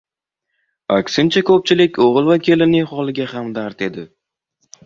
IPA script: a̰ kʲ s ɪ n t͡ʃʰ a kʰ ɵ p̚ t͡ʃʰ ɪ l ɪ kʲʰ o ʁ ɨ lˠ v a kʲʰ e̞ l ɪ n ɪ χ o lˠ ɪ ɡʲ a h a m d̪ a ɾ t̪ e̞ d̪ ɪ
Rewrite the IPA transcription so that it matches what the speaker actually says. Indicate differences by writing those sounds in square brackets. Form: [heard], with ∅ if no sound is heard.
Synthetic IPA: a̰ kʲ s ɪ n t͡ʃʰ a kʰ ɵ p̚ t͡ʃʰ ɪ l ɪ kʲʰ o ʁ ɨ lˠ v a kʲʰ e̞ l ɪ n ɪ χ [ɒ] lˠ ɪ ɡʲ a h a m d̪ a ɾ t̪ e̞ d̪ ɪ